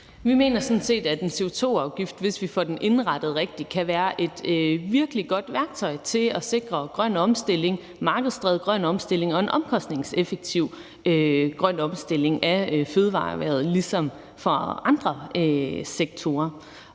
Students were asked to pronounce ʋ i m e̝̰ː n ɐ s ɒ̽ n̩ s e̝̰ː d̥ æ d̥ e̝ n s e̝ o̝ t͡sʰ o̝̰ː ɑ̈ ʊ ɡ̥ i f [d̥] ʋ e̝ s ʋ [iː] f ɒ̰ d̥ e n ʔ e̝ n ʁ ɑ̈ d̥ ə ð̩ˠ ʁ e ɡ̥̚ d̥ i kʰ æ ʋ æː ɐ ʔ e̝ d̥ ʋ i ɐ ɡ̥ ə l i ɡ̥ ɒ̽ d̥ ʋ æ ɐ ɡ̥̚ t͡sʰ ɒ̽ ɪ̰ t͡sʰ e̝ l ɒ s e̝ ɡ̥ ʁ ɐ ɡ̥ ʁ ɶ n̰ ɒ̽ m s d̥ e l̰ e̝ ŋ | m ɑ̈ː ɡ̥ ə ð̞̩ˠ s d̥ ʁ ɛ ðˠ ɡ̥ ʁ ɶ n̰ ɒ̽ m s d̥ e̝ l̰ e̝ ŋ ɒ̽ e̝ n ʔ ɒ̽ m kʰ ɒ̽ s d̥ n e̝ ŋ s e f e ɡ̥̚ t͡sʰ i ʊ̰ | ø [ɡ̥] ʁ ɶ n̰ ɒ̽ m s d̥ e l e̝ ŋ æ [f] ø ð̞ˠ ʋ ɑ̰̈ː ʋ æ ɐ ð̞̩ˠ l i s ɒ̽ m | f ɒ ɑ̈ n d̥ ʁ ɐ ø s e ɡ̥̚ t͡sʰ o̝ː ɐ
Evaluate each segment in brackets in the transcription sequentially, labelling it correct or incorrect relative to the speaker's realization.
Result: correct, incorrect, correct, correct

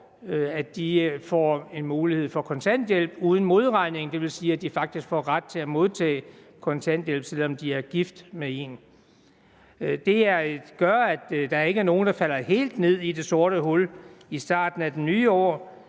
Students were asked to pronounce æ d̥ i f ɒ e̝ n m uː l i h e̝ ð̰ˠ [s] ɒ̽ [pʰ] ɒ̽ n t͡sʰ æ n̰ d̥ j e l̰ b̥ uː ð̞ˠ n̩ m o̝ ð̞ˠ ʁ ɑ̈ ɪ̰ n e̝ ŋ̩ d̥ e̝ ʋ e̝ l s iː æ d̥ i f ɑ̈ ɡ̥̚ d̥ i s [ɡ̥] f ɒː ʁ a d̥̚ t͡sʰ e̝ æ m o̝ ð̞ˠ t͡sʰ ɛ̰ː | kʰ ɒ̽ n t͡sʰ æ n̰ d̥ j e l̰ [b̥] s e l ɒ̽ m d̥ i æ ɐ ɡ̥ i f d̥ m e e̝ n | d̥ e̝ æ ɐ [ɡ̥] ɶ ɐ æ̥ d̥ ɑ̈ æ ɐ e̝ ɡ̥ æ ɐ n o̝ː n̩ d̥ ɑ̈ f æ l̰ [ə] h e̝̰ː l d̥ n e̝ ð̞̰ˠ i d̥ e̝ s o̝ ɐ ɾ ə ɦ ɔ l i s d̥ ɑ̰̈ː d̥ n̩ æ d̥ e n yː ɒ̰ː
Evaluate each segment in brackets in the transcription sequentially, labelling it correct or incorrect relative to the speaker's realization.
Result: incorrect, incorrect, correct, correct, correct, incorrect

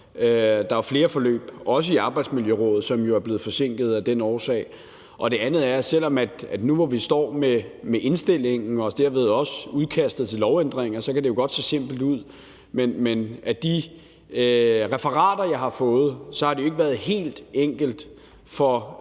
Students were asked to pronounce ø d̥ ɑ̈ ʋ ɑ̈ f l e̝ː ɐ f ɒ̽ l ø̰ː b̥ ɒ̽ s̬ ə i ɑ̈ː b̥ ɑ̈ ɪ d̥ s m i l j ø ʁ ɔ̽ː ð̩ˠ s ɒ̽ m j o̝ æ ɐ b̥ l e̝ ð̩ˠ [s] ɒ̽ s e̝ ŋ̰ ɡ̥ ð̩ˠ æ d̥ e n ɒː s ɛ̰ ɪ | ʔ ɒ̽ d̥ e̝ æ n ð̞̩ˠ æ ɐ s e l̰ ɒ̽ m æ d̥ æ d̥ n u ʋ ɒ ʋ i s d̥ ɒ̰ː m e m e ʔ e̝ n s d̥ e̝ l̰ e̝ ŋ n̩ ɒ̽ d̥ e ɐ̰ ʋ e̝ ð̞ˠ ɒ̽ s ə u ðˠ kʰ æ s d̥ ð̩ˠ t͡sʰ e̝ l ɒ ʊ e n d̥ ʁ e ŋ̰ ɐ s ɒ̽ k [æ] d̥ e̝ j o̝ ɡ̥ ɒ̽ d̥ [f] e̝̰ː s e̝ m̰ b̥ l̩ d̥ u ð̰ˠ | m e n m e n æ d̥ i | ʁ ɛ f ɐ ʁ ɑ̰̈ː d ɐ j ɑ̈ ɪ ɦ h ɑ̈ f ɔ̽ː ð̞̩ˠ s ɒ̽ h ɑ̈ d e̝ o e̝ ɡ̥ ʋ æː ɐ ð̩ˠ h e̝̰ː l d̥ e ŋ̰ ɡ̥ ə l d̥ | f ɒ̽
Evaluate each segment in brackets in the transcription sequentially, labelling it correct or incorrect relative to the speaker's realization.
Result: incorrect, correct, incorrect

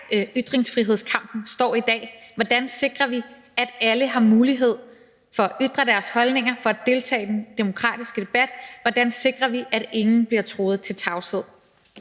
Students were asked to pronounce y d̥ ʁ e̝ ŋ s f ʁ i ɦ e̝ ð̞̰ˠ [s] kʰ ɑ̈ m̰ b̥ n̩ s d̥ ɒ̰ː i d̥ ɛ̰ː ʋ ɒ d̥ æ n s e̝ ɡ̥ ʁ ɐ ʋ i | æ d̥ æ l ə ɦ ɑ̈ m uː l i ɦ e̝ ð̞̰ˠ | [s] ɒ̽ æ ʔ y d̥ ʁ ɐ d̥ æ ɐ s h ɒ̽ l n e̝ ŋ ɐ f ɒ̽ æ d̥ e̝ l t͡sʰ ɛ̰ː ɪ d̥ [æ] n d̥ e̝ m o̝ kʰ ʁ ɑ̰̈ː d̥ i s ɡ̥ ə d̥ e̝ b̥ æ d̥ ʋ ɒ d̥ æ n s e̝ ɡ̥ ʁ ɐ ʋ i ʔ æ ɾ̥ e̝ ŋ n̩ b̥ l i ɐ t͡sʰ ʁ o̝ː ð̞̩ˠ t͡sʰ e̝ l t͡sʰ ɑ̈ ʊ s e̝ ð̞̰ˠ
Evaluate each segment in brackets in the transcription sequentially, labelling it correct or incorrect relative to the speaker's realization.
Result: correct, incorrect, incorrect

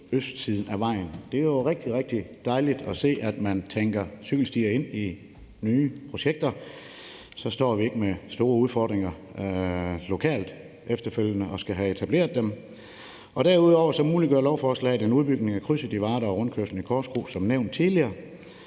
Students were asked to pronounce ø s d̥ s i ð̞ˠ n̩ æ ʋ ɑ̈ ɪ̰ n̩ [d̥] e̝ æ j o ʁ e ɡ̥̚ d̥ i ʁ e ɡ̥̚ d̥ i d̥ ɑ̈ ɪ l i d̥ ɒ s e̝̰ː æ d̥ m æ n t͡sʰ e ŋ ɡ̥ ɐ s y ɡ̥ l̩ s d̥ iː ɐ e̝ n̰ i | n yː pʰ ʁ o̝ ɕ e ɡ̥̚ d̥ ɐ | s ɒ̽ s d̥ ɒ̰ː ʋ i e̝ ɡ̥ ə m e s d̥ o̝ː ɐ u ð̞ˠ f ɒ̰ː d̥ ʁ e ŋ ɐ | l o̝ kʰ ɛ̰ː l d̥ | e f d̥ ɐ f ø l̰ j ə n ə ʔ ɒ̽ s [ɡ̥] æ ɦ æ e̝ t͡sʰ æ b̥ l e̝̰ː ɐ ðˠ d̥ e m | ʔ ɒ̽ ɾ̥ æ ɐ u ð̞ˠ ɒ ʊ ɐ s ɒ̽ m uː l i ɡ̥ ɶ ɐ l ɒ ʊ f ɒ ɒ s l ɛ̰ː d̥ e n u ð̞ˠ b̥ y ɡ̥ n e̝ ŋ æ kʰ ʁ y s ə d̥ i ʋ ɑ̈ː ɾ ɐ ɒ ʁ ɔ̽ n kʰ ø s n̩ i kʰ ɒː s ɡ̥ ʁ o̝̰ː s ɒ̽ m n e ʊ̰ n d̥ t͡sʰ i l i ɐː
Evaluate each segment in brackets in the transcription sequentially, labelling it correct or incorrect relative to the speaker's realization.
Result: correct, correct

